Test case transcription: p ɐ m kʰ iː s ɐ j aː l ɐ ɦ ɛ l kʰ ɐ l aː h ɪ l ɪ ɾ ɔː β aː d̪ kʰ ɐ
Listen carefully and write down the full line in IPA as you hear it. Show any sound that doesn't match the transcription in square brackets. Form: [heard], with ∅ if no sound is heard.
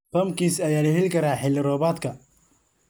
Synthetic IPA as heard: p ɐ m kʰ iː s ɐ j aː l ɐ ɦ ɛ l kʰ ɐ [ɾ] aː [ħ] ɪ l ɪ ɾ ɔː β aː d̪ kʰ ɐ